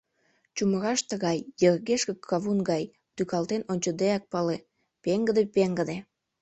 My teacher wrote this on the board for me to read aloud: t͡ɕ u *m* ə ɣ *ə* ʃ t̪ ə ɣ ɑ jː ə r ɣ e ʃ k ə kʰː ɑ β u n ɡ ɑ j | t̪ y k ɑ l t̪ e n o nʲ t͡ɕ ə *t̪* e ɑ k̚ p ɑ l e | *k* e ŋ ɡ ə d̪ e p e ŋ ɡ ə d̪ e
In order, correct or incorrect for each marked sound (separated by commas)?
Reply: correct, incorrect, incorrect, incorrect